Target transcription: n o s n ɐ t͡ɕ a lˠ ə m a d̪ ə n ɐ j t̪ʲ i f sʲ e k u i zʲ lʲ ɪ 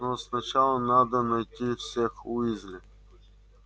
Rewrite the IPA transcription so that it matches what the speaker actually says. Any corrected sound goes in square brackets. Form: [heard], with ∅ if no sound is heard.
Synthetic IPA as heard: n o s n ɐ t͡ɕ a lˠ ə [n] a d̪ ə n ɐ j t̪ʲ i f sʲ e [x] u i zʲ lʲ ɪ